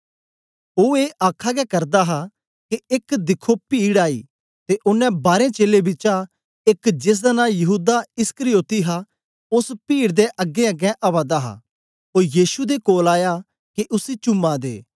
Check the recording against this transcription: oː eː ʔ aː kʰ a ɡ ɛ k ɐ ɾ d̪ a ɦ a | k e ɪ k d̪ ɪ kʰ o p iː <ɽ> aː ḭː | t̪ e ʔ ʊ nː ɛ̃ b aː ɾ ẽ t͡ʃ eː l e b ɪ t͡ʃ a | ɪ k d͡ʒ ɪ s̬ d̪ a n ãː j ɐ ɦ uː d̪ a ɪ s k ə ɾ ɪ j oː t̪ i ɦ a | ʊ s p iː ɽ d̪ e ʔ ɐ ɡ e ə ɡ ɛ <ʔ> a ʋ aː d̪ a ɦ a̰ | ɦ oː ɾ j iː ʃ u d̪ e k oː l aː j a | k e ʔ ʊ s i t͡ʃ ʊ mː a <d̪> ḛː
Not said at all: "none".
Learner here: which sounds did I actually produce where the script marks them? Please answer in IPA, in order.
ɽ, ʔ, d̪

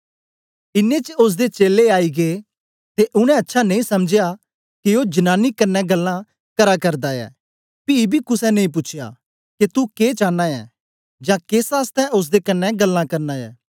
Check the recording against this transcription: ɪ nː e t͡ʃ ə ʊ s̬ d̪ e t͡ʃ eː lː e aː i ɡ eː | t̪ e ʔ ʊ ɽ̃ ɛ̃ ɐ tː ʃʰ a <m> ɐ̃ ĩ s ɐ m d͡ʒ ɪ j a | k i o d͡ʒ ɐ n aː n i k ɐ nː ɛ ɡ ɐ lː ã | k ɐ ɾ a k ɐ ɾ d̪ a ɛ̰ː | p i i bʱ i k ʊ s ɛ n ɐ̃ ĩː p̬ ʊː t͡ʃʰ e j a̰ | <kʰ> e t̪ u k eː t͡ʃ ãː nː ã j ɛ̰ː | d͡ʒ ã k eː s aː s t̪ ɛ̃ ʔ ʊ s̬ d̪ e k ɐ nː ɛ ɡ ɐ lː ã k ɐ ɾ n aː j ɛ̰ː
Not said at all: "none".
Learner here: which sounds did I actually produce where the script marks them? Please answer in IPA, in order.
n, k

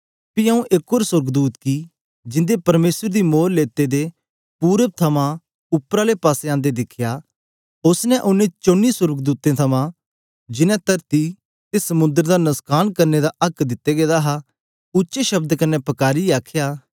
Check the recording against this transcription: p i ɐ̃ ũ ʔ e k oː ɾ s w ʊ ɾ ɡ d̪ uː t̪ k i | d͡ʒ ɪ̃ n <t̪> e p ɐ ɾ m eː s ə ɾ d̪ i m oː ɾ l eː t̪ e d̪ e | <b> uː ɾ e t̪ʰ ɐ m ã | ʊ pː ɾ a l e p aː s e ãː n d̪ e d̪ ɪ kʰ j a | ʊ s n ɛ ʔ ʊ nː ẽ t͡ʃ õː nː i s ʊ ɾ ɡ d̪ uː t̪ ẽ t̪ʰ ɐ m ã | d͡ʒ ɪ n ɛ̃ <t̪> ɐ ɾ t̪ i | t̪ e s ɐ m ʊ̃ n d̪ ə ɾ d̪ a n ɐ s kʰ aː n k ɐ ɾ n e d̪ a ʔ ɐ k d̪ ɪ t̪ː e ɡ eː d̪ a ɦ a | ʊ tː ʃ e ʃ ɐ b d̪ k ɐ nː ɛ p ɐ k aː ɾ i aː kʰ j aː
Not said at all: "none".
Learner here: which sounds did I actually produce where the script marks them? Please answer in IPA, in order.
d̪, p, t̪

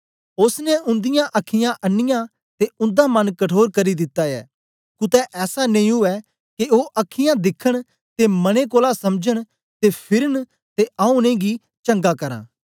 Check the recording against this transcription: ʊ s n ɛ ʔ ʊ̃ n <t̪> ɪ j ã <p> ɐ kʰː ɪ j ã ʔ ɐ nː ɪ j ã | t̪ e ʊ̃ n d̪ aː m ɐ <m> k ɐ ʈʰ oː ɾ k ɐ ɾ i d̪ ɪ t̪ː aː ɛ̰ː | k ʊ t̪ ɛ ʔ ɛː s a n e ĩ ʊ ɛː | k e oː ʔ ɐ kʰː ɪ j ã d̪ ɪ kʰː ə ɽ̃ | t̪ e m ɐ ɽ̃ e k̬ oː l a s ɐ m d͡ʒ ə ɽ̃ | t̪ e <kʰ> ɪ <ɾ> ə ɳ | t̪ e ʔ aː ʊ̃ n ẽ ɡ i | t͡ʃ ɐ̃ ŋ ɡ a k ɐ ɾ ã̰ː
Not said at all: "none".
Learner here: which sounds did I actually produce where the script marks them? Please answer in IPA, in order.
d̪, ʔ, n, pʰ, ɾ

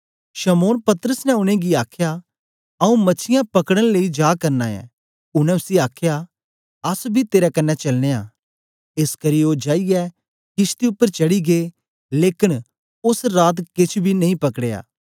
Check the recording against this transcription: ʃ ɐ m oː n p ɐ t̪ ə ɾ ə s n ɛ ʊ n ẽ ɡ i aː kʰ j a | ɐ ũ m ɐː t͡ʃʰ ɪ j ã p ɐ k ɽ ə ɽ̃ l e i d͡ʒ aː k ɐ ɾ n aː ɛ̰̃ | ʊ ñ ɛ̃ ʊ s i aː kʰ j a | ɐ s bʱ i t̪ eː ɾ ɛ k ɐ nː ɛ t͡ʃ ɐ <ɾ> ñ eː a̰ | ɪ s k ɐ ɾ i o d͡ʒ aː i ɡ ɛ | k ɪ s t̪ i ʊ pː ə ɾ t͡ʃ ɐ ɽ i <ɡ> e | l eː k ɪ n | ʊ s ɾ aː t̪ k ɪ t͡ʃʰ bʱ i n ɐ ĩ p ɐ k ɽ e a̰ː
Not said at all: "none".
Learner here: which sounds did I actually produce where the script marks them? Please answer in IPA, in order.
l, ɡ

